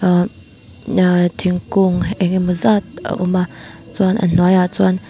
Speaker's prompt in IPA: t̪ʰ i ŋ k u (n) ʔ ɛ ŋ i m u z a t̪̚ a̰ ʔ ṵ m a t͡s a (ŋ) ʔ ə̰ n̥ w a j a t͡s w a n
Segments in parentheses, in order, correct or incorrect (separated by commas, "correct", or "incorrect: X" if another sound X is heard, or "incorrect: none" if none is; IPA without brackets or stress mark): incorrect: ŋ, incorrect: n